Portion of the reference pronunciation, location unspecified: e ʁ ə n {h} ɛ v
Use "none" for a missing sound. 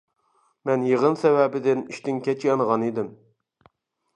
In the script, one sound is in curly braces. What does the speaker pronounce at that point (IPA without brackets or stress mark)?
s